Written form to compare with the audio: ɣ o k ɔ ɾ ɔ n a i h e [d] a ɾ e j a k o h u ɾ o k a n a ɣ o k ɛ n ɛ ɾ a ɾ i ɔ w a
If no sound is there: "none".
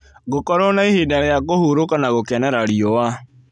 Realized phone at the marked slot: d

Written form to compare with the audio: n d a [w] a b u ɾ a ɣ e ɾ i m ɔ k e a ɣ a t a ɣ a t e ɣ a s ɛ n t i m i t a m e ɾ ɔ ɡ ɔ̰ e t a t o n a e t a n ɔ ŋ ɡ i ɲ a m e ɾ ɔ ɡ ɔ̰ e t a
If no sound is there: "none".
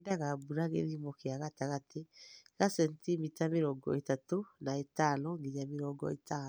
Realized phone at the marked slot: ɣ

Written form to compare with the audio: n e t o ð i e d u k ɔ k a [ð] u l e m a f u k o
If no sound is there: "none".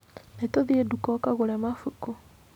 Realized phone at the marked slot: ɣ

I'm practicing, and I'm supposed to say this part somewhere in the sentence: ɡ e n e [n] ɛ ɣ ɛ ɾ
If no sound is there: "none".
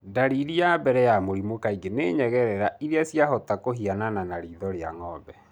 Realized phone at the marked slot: ɲ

